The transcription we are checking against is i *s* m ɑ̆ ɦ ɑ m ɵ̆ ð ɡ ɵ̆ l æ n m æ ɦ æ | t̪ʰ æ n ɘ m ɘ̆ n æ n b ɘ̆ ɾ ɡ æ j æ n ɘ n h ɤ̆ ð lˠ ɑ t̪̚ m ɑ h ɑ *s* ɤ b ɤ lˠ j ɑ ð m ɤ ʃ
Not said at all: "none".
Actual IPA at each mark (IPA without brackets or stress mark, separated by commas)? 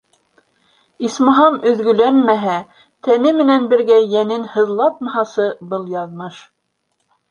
s, s